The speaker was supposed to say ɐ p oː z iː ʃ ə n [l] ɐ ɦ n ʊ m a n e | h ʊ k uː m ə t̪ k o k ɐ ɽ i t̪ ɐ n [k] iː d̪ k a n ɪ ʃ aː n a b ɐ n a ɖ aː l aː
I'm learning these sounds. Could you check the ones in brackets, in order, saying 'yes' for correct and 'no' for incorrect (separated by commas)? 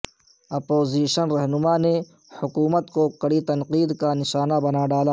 no, no